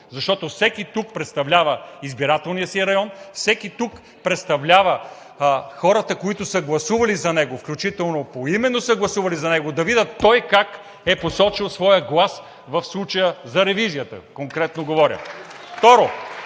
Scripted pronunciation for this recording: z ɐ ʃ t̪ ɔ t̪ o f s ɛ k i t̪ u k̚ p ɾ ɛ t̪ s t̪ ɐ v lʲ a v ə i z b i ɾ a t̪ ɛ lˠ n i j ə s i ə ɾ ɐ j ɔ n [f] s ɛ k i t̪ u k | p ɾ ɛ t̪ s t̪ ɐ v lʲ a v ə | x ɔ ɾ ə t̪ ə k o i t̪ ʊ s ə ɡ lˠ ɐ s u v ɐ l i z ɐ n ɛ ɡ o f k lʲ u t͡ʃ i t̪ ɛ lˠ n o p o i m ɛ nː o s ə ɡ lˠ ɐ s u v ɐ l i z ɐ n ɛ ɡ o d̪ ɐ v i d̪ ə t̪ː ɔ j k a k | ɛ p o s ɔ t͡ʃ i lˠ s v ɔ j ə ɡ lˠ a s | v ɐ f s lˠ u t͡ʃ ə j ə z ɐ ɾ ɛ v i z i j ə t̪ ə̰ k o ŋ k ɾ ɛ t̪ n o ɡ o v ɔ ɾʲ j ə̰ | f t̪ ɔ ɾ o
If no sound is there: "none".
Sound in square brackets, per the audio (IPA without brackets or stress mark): f